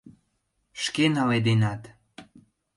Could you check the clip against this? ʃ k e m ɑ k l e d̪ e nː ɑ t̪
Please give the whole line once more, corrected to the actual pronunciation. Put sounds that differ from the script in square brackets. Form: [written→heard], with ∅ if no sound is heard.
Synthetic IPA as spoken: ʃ k e [m→n] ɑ [k→∅] l e d̪ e [nː→n] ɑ t̪